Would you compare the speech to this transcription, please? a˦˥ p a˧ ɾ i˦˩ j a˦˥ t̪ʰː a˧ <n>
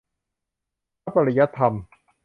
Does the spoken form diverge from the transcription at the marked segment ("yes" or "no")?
yes